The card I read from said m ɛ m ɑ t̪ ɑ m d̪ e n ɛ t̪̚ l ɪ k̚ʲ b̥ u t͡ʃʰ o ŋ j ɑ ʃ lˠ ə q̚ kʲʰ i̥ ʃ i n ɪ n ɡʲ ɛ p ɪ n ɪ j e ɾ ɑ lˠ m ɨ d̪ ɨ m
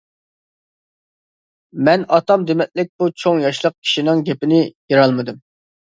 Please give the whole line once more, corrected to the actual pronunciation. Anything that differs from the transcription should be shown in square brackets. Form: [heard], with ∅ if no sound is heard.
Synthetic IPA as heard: m ɛ [n] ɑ t̪ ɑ m d̪ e [m] ɛ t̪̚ l ɪ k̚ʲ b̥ u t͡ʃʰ o ŋ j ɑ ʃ lˠ ə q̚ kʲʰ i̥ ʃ i n ɪ [ŋ] ɡʲ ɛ p ɪ n ɪ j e ɾ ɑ lˠ m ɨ d̪ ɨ m